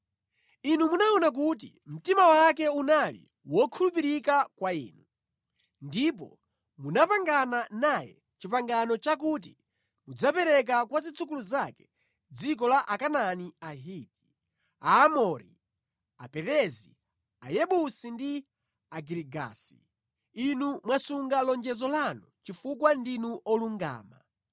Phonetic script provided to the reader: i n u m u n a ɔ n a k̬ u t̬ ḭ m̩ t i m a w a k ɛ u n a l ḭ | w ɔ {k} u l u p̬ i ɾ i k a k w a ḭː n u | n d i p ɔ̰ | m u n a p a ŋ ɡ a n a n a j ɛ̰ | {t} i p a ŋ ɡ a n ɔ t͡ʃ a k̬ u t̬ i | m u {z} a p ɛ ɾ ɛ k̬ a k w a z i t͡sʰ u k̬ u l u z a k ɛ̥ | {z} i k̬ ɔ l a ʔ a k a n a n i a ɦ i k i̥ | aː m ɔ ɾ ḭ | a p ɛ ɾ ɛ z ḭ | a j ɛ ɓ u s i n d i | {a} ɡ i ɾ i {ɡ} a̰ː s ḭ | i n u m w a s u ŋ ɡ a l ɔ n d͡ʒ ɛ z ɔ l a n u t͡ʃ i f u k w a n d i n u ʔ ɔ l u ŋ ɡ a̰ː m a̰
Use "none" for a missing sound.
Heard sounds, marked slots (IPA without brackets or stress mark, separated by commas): kʰ, t͡ʃ, d͡z, d͡z, a, ɡ